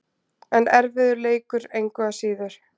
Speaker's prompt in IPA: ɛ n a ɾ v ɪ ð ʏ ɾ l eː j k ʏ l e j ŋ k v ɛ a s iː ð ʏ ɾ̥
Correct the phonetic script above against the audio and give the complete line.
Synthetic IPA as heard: ɛ n ɛ ɾ v ɪ ð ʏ ɾ l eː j k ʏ ɾ e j ŋ k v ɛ a s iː ð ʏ ɾ̥